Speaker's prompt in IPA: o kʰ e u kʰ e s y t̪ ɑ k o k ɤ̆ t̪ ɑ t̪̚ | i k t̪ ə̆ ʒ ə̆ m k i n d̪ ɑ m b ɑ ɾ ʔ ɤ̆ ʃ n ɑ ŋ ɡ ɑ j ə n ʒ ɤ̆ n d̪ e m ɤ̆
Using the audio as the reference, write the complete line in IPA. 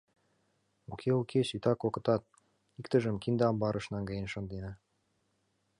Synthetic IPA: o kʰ e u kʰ e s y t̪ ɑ k o k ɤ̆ t̪ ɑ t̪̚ | i k t̪ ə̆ ʒ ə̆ m k i n d̪ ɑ m b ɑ ɾ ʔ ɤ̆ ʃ n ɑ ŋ ɡ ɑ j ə n ʃ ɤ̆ n d̪ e n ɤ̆